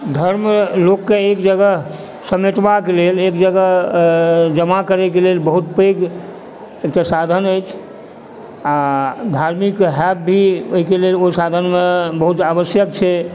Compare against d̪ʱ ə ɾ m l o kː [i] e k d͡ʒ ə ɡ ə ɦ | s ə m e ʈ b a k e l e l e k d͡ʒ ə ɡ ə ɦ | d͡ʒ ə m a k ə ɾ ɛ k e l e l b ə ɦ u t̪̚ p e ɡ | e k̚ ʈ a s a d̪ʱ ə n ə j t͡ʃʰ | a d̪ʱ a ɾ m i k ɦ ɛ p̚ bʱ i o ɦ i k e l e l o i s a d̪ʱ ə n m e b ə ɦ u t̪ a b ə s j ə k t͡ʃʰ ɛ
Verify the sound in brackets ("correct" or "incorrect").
incorrect